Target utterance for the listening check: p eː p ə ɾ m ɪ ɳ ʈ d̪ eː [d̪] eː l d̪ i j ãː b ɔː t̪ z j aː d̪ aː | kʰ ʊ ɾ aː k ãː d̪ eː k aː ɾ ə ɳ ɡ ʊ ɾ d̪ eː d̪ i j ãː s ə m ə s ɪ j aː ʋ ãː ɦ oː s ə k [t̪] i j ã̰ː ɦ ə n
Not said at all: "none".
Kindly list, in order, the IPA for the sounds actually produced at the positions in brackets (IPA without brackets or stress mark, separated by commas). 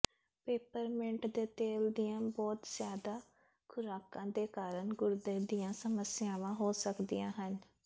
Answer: t̪, d̪